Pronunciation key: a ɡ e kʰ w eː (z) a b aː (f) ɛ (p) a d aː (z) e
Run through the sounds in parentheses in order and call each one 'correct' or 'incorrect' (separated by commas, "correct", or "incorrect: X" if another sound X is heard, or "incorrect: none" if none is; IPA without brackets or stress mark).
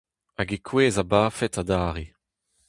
correct, correct, incorrect: t, incorrect: ʁ